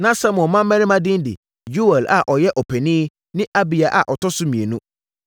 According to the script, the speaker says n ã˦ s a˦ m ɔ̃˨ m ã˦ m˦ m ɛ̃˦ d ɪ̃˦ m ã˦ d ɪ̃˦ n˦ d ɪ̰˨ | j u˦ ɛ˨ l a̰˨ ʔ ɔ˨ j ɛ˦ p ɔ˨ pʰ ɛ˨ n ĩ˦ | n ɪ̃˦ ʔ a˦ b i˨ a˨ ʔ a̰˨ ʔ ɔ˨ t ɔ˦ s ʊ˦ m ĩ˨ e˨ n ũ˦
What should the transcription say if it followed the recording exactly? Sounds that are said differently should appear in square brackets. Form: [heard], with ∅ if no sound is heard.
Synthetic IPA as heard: n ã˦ s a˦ m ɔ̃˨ m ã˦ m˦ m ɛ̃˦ [n] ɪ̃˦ m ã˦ d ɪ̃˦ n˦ d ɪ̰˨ | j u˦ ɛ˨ l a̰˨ ʔ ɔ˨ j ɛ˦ [ʔ] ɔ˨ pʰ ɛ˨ n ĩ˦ | n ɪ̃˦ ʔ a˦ b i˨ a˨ ʔ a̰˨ ʔ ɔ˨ t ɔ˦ s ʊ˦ m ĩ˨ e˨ n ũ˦